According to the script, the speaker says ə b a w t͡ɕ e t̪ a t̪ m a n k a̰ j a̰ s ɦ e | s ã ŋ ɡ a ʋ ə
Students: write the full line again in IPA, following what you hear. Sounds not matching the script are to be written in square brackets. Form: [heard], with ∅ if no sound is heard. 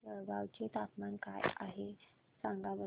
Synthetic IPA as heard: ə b a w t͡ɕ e t̪ a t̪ m a n k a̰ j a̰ [∅] ɦ e | s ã ŋ ɡ a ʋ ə

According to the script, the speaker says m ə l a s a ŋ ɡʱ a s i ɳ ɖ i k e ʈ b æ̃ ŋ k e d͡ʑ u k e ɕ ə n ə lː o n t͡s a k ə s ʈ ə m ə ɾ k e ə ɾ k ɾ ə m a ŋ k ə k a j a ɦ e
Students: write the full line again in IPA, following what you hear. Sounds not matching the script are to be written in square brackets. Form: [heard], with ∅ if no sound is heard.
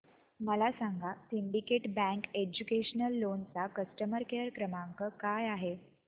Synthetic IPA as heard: m ə l a s a ŋ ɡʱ a s i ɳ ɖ i k e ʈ b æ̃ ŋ k e d͡ʑ u k e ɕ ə n ə lː o n t͡s a k ə s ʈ ə m ə ɾ k e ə ɾ k ɾ ə m a ŋ k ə k a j a ɦ e

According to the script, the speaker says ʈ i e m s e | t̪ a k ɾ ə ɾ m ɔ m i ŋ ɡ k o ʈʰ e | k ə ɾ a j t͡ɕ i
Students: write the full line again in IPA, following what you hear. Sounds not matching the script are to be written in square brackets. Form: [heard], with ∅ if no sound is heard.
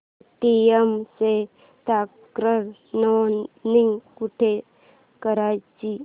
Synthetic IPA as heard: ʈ i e m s e | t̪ a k ɾ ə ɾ [n] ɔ [n] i ŋ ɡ k [u] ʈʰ e | k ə ɾ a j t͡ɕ i

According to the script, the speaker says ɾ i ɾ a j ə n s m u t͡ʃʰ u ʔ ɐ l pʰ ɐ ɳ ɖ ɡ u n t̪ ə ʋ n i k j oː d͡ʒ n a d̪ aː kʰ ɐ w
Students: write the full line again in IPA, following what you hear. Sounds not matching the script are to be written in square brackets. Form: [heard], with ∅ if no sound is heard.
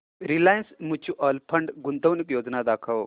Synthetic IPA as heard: ɾ i [l] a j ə n s m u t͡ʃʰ u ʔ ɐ l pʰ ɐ ɳ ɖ ɡ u n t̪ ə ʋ n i k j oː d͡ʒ n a d̪ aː kʰ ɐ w

